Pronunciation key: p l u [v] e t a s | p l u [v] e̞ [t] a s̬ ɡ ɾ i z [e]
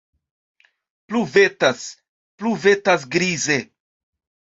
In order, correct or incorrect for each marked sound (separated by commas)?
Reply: correct, correct, correct, correct